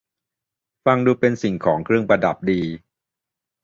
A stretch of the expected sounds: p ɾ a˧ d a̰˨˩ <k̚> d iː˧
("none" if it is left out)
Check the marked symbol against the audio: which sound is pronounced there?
p̚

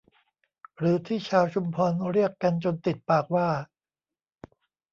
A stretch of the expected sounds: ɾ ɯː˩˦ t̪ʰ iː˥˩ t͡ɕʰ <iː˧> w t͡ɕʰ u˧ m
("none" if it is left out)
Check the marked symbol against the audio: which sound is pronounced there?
aː˧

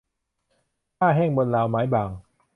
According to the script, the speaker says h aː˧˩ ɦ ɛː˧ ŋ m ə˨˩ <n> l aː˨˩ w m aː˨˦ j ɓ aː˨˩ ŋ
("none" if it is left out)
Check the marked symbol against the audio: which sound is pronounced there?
n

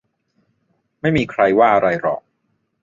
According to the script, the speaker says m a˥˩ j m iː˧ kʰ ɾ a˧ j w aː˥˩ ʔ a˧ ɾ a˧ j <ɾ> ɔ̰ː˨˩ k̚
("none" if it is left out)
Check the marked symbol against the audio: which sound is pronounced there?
ɾ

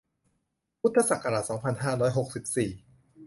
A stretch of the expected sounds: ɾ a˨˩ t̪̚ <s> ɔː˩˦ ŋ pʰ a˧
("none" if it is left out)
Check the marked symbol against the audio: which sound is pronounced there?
s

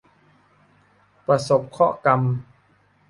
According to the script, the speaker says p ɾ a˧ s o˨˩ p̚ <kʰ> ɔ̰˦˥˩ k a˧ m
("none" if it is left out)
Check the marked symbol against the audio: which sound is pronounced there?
kʰ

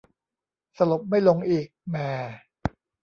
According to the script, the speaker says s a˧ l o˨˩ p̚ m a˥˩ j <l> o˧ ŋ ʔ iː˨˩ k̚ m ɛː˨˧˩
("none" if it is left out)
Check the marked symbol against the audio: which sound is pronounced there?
l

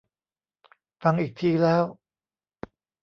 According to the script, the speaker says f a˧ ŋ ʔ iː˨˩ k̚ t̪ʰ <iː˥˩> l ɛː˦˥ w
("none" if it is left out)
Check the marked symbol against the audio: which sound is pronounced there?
iː˧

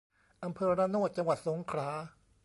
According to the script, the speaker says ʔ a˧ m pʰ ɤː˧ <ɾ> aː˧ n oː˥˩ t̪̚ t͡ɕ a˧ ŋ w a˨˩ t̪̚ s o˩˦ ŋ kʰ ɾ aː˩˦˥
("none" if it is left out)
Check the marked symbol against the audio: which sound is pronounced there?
ɾ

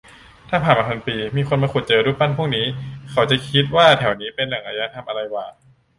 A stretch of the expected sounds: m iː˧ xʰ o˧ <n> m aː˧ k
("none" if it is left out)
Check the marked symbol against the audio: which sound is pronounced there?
n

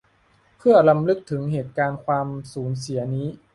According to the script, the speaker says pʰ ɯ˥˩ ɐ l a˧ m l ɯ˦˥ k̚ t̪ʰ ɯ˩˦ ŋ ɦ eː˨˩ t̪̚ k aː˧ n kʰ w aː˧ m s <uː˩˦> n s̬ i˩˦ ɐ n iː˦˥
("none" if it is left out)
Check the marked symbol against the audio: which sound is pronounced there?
uː˩˦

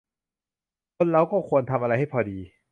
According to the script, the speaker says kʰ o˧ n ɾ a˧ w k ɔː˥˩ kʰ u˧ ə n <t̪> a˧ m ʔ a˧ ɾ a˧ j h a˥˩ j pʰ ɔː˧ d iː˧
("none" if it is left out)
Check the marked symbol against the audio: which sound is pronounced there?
t̪ʰ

